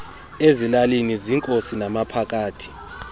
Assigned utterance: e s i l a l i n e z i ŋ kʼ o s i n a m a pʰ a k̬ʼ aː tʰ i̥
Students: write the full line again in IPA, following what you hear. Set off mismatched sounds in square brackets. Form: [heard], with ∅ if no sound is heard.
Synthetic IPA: e [z] i l a l i n [i] z i ŋ kʼ o s i n a m a pʰ a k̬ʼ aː tʰ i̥

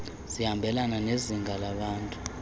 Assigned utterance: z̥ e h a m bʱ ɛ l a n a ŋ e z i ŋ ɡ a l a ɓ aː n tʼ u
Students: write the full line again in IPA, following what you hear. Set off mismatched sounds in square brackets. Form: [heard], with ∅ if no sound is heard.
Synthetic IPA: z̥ [i] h a m bʱ ɛ l a n a [n] e z i ŋ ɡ a l a ɓ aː n tʼ u

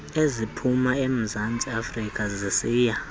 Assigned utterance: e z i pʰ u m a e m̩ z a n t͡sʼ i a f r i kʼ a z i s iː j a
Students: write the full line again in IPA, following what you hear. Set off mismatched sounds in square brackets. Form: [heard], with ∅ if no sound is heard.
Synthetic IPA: e z i pʰ u m a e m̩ z a n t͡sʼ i a f r i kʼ a z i s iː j a

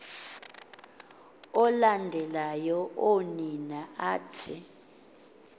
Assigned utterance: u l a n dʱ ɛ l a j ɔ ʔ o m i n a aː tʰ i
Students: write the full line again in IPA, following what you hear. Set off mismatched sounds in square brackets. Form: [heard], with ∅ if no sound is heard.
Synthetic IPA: [ɔ] l a n dʱ ɛ l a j ɔ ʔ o [n] i n a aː tʰ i

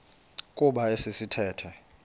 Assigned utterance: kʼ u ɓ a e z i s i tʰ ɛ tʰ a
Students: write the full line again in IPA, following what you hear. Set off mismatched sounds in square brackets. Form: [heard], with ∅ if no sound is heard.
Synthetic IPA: kʼ u ɓ a e [s] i s i tʰ [ɛː] tʰ [ɛ]

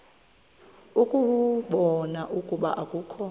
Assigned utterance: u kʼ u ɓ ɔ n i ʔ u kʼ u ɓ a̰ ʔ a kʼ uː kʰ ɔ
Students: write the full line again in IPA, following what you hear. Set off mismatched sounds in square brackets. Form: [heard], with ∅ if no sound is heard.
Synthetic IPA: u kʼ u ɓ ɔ n [a] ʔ u kʼ u ɓ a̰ ʔ a kʼ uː kʰ ɔ

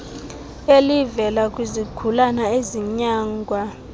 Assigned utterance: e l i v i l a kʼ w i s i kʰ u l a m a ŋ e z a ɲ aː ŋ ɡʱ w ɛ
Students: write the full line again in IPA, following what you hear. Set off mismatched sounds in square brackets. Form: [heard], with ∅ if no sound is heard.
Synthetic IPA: e l i v [ɛ] l a kʼ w i [z] i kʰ u l a [n] a [∅] e z [i] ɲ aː ŋ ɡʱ w [a]

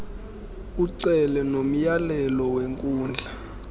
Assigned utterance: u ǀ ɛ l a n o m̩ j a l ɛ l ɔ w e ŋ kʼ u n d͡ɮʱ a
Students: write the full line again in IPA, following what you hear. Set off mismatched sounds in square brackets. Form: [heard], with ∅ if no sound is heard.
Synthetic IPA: u ǀ ɛ l [ɛ] n o m̩ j a l ɛ l ɔ w e ŋ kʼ [uː] n d͡ɮʱ a

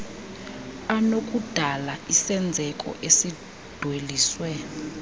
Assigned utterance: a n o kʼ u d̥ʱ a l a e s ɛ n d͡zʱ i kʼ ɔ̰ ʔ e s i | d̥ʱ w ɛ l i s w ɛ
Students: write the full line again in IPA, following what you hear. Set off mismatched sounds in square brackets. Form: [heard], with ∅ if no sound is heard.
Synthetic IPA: a n o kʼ u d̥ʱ a l a [i] s ɛ n d͡zʱ [ɛ] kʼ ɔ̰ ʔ e s i | d̥ʱ w [e] l [iː] s w ɛ

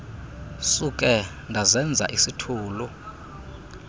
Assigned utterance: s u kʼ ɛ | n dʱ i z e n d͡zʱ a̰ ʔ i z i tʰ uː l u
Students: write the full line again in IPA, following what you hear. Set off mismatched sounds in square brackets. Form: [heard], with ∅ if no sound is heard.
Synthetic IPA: s u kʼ ɛ | n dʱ [a] z [ɛ] n d͡zʱ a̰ ʔ i [s] i tʰ uː l u

